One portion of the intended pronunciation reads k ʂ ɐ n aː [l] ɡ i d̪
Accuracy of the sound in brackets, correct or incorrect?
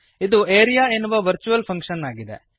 incorrect